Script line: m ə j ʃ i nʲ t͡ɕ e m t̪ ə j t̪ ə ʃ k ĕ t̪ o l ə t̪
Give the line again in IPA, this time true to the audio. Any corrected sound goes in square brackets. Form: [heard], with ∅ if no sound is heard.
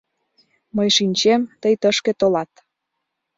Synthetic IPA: m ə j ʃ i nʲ t͡ɕ e m t̪ ə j t̪ ə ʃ k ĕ t̪ o l [ɑ] t̪